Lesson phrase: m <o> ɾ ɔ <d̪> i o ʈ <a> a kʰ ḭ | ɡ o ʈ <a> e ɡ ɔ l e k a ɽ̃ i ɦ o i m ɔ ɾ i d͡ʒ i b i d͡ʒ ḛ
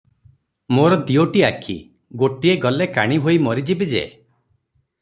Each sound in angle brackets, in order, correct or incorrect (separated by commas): correct, correct, incorrect, incorrect